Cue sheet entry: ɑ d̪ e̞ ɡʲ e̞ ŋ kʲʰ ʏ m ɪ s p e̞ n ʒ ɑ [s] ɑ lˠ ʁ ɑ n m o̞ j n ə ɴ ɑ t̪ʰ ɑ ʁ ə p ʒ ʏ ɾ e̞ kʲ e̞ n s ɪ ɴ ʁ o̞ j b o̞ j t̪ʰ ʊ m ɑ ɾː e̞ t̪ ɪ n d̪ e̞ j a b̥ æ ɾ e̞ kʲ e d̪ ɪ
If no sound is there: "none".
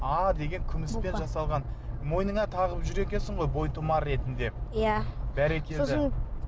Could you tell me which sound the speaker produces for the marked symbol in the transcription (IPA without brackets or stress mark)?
s